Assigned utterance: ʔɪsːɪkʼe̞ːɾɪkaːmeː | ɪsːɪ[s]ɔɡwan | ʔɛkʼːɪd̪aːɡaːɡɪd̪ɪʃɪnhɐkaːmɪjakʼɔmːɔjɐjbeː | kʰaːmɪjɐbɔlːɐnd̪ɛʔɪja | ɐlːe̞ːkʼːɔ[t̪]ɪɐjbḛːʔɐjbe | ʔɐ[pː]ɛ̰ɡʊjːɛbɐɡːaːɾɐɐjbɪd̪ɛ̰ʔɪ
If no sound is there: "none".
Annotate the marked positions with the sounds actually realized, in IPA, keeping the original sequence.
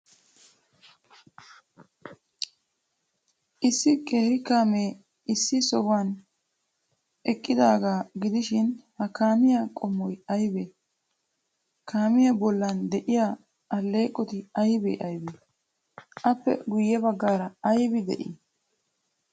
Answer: s, t̪, pː

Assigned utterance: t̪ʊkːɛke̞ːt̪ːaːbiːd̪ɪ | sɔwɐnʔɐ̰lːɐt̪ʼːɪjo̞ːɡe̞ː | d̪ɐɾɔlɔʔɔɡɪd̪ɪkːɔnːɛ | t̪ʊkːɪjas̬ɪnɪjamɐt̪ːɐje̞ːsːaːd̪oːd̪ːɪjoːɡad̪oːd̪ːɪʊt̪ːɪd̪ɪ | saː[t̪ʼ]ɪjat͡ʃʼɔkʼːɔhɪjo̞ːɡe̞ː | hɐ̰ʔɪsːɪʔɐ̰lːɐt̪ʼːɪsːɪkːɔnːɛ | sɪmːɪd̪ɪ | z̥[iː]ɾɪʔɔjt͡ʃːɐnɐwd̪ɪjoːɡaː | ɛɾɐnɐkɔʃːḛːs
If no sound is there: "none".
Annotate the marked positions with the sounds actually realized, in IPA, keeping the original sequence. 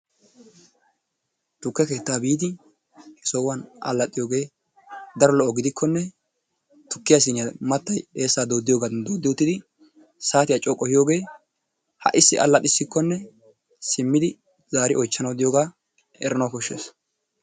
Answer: t̪, aː

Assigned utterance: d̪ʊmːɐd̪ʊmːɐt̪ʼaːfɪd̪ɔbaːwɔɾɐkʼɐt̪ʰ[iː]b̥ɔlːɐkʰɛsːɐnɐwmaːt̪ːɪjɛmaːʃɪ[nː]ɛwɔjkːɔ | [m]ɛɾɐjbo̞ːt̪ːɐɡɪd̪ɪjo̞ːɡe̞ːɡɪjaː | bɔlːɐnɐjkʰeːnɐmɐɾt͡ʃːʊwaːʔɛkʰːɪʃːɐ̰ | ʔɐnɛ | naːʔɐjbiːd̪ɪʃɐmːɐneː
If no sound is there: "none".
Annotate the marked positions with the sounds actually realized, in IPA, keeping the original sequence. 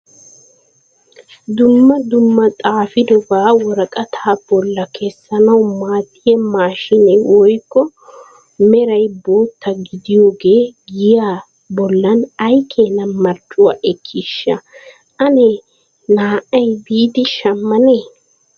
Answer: aː, n, m

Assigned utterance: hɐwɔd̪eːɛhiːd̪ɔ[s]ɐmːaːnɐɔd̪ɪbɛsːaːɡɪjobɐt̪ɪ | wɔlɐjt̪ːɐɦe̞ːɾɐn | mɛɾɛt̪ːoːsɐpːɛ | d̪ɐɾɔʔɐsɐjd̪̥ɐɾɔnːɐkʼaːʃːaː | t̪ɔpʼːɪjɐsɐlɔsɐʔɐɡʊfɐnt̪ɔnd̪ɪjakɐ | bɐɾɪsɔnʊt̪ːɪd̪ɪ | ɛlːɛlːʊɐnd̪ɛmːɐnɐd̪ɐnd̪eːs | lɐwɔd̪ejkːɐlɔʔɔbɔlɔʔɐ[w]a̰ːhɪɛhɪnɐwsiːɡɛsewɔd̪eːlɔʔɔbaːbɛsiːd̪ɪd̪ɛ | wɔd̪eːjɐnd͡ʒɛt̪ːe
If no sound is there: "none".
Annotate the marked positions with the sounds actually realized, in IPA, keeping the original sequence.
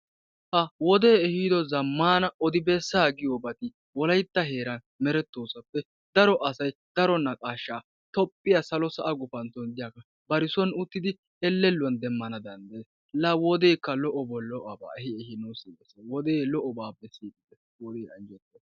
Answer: z, b

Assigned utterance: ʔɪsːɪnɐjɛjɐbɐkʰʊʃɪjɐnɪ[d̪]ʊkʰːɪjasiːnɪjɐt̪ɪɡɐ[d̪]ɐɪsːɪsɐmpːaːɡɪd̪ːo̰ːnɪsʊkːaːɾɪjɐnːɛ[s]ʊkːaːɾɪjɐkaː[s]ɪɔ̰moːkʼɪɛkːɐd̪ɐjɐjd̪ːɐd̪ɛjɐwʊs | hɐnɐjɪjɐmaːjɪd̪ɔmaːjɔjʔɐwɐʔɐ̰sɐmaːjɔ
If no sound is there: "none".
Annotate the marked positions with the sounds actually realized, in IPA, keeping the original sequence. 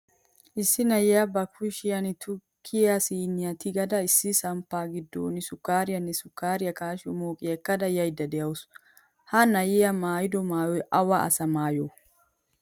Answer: t̪, d̪, s, ʃ

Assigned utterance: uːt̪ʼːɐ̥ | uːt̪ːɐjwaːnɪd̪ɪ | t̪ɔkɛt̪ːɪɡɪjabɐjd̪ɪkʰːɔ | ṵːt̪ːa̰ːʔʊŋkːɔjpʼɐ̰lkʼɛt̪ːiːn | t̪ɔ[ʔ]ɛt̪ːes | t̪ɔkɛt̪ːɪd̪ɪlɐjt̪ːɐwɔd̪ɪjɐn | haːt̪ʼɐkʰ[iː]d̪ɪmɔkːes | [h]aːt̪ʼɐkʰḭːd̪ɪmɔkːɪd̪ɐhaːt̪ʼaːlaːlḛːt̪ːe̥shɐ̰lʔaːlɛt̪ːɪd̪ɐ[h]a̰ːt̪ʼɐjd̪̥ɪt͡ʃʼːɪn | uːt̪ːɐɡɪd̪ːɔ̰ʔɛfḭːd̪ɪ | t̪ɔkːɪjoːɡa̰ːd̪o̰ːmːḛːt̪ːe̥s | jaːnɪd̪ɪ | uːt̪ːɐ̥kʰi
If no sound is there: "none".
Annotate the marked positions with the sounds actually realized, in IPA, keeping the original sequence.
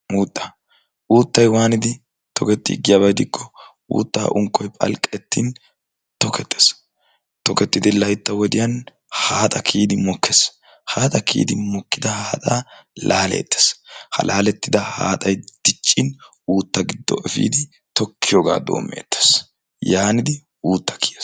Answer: k, iː, h, h

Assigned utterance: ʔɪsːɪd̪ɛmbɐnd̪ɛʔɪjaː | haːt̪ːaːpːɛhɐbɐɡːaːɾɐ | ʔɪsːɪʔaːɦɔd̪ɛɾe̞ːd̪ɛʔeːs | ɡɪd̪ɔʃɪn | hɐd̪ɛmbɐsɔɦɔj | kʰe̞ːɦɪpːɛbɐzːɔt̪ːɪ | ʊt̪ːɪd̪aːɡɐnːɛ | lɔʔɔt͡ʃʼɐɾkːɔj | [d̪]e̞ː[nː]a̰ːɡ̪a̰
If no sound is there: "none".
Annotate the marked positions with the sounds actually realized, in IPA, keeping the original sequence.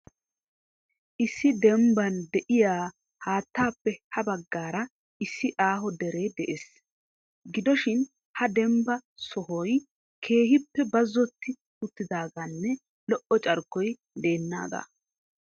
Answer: d̪, nː

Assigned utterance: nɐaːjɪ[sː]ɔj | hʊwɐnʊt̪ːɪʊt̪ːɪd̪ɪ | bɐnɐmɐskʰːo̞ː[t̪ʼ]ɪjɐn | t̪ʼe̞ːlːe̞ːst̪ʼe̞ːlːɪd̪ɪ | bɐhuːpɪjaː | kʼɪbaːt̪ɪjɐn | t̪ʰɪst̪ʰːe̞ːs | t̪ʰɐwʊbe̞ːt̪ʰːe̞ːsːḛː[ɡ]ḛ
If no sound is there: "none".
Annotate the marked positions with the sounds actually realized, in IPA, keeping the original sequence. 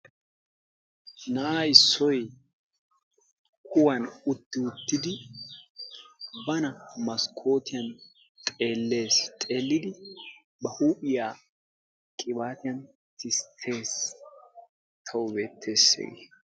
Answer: sː, t̪, ɡ

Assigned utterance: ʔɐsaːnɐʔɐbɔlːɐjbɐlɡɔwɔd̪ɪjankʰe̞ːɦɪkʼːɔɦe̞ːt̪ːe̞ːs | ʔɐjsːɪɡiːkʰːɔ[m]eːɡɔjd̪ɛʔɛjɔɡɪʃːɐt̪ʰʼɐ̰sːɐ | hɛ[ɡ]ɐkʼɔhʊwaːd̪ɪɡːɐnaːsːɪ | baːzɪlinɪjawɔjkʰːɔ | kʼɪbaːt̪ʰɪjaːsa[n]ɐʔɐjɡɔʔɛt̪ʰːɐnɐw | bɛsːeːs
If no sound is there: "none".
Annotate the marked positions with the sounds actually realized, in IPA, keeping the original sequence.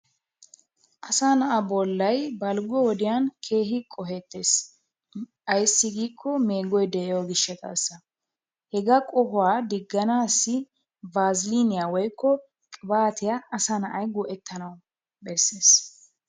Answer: m, ɡ, n

